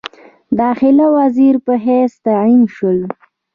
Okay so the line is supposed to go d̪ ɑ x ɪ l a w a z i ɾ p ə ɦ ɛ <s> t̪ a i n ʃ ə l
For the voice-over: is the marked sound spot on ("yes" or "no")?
yes